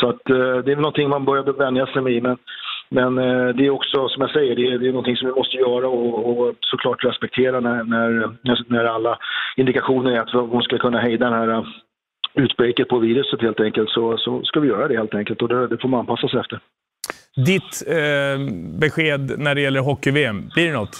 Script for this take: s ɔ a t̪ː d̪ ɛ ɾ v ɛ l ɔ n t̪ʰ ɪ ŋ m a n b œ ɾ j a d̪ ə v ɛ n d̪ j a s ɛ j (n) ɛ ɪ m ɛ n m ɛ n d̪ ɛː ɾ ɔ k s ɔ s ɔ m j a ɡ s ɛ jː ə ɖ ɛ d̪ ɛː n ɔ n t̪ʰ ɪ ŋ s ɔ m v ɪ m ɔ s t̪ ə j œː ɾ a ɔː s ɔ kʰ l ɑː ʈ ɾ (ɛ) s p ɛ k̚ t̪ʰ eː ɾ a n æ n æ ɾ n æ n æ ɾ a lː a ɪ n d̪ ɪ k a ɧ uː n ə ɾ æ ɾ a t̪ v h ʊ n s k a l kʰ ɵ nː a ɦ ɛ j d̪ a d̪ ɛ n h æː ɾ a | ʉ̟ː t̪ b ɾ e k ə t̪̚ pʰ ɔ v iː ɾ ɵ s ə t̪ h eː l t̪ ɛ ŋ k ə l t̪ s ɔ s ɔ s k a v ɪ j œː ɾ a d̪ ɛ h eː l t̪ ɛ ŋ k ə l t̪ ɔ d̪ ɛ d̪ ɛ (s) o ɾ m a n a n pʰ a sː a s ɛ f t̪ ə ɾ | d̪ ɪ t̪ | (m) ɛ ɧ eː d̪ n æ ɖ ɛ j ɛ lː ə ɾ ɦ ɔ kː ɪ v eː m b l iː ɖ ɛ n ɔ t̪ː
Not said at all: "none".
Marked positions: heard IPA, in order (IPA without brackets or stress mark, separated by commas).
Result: m, ɛ, f, b